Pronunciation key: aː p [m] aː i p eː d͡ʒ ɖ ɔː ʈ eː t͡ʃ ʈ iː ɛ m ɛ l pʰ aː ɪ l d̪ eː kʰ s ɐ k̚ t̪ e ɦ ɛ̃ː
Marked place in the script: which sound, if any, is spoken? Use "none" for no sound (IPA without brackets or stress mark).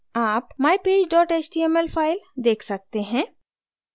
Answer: m